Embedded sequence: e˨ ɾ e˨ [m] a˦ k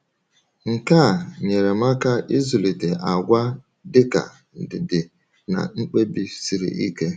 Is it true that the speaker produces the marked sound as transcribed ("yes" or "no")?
yes